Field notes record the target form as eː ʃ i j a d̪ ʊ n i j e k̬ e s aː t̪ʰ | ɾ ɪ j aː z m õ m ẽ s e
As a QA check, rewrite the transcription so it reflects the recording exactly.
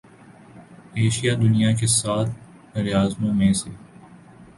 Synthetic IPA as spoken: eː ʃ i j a d̪ ʊ n i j a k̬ e s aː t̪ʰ | ɾ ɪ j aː z m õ m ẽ s e